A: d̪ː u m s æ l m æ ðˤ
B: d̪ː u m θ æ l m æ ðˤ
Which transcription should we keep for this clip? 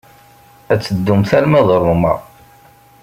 B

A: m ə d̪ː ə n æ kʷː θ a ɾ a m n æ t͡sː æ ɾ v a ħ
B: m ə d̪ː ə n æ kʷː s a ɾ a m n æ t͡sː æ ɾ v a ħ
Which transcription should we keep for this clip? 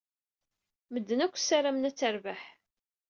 B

